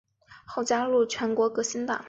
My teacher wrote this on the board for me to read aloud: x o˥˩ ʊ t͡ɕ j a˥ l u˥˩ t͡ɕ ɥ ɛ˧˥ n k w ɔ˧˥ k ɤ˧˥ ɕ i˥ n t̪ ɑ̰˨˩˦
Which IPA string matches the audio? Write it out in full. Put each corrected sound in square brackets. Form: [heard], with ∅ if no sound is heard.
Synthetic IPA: x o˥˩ ʊ t͡ɕ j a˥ l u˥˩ [t͡ɕʰ] ɥ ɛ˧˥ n k w ɔ˧˥ k ɤ˧˥ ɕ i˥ n t̪ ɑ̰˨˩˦